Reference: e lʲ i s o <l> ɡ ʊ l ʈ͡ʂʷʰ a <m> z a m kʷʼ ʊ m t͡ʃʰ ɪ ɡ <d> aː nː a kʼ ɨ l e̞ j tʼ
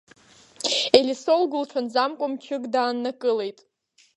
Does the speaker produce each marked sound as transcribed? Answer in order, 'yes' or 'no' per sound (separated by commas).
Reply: yes, no, yes